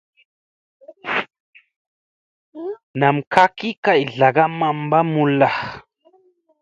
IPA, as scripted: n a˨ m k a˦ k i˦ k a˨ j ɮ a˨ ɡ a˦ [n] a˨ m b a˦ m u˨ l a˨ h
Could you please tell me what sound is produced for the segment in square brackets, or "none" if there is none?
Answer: m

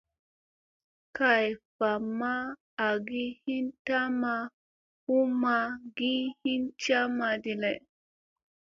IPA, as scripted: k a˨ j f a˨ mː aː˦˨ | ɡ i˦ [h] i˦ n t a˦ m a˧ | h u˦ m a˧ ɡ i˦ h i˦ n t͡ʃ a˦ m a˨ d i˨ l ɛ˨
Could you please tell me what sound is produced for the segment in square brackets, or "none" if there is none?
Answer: h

